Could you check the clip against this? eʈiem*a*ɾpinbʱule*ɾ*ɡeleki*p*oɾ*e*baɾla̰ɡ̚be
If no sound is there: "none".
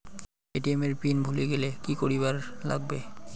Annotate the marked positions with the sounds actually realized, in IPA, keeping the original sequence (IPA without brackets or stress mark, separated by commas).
e, none, k, i